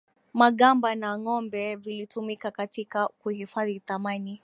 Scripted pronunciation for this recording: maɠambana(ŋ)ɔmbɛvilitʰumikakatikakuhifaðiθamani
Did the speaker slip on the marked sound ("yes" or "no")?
no